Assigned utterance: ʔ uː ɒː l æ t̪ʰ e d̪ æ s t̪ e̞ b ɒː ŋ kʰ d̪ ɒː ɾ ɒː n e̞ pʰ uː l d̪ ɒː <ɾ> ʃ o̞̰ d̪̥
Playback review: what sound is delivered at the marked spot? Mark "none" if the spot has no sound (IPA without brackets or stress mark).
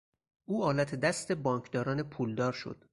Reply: ɾ